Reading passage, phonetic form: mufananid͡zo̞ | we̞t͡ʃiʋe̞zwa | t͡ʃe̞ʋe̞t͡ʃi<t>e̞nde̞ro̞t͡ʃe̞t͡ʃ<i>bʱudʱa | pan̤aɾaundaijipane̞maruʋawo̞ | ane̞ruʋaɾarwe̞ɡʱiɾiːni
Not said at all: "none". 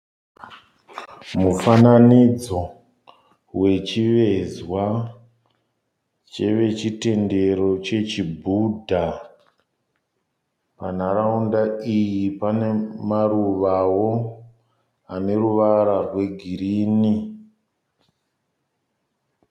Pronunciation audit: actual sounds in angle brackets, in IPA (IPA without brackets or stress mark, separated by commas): t, i